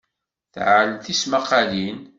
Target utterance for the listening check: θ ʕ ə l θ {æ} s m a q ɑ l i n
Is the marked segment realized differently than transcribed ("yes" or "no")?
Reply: yes